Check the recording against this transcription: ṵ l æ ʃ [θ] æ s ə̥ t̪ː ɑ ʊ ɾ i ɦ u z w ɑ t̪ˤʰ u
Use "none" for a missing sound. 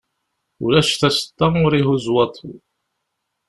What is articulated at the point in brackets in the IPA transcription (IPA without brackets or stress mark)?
θ